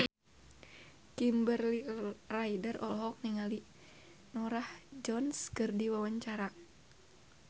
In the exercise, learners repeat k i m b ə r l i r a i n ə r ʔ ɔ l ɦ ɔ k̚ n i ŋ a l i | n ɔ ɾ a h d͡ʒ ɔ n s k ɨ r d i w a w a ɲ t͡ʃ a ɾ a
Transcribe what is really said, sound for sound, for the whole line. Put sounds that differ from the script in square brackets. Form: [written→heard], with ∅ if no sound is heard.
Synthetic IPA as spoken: k i m b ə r l i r a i [n→d] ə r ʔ ɔ l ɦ ɔ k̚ n i ŋ a l i | n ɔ ɾ a h d͡ʒ ɔ n s k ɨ r d i w a w a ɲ t͡ʃ a ɾ a